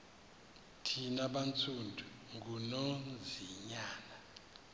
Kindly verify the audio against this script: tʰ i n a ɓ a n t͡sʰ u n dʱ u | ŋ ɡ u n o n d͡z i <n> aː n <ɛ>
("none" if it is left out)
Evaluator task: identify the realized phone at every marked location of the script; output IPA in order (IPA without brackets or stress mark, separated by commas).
ɲ, a